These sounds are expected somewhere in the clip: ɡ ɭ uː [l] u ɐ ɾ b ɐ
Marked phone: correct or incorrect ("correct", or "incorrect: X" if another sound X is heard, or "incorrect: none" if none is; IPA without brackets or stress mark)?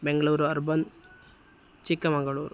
incorrect: ɾ